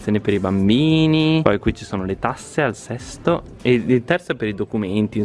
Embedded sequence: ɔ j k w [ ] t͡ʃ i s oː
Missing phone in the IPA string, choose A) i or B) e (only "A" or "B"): A